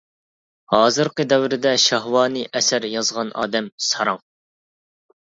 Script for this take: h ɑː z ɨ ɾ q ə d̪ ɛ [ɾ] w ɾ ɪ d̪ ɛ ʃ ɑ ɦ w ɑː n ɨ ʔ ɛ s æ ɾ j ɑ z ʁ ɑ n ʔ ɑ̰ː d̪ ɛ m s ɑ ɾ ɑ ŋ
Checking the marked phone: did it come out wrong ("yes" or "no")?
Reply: yes